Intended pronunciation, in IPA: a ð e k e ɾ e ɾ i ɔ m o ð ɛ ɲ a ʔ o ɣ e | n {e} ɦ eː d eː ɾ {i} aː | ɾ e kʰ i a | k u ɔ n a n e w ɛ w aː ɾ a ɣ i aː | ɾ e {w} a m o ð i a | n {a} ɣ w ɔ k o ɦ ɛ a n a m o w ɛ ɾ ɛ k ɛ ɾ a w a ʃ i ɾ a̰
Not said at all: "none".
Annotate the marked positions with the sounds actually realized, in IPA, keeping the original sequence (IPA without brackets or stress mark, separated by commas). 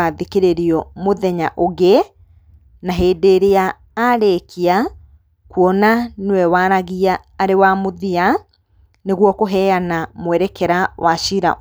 a, e, w, e